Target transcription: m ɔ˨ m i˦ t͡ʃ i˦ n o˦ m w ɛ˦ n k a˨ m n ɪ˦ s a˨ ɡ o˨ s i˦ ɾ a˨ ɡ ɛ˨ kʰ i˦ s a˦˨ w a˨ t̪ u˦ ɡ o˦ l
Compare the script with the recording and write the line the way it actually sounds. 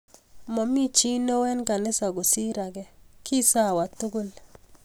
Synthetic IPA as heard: m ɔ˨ m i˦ t͡ʃ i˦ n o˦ w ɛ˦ n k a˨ n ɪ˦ s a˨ ɡ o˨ s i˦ ɾ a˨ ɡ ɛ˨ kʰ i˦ s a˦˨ w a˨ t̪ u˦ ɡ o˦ l